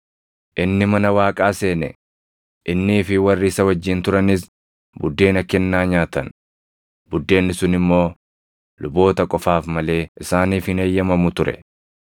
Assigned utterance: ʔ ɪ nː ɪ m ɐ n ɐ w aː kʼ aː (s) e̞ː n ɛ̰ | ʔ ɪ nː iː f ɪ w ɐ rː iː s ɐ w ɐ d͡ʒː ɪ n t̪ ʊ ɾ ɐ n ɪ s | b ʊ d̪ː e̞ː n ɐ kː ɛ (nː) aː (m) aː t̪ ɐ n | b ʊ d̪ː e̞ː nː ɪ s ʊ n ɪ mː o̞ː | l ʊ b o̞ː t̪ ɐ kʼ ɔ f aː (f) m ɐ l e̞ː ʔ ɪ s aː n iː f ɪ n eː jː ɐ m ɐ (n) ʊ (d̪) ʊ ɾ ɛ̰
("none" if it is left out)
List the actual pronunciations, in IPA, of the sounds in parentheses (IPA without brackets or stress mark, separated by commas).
s, nː, ɲ, f, m, t̪